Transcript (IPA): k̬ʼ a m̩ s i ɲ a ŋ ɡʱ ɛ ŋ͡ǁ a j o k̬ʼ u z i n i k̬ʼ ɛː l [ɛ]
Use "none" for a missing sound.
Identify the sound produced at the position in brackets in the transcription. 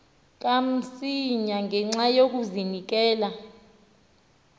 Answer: a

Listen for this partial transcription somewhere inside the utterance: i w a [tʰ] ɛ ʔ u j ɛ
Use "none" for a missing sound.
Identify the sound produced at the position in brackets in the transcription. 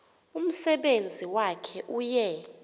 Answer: kʰ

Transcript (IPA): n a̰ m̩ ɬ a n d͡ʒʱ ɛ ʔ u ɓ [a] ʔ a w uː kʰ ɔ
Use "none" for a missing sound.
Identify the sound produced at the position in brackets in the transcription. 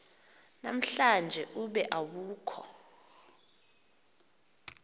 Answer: ɛ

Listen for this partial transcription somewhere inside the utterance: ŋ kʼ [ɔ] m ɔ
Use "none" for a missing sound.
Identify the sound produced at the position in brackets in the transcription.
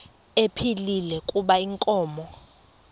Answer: ɔː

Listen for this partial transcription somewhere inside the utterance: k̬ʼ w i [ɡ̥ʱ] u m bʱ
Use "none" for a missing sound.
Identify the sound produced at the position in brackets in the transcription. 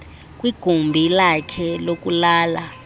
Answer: ɡ̥ʱ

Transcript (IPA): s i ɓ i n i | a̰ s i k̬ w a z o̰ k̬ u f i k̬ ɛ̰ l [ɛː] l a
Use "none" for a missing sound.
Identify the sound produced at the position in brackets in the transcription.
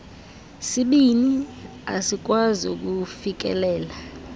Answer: ɛː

